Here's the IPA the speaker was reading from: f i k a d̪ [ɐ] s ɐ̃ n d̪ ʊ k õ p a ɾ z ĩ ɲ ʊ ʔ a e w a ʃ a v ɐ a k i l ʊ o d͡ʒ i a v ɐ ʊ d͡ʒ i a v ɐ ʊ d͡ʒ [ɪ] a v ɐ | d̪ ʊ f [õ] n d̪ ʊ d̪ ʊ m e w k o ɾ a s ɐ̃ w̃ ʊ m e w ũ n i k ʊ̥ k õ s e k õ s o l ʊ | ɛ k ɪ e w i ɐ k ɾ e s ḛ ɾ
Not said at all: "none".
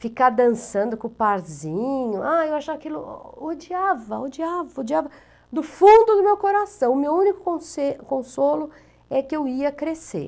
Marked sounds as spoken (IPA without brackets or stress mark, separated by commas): ɐ̃, i, ũ